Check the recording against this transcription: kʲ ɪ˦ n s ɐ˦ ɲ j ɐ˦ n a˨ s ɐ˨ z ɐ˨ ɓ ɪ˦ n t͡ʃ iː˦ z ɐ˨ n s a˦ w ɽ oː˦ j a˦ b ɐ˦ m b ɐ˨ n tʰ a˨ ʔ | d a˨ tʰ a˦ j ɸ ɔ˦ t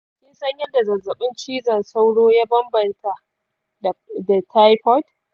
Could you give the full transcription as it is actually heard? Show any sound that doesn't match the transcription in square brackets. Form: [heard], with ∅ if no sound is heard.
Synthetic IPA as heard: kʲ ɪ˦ n s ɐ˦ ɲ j ɐ˦ [d] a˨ [z] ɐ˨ z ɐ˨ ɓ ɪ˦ n t͡ʃ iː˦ z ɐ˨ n s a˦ w ɽ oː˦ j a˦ b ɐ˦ m b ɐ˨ n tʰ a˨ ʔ | d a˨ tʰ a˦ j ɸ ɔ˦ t